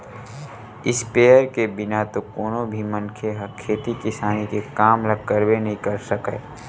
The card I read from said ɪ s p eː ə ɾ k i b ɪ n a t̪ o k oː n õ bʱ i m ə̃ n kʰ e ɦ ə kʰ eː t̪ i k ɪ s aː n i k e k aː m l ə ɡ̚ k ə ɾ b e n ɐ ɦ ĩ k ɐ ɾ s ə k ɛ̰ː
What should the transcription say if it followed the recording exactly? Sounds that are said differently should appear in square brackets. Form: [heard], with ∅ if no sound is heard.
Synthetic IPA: ɪ s p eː ə ɾ k [e] b ɪ n a t̪ o k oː n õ bʱ i m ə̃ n kʰ e ɦ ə kʰ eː t̪ i k ɪ s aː n i k e k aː m l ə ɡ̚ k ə ɾ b e n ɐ ɦ ĩ k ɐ ɾ s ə k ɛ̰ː